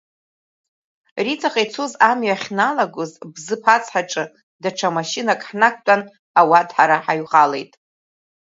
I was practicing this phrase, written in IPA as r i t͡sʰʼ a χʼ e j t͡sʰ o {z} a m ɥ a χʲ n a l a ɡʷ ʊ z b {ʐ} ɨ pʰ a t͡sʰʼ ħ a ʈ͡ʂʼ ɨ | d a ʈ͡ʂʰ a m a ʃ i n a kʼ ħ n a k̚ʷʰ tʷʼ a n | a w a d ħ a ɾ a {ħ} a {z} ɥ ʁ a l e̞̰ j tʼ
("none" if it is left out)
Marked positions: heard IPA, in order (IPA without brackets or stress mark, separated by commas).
z, z, ħ, none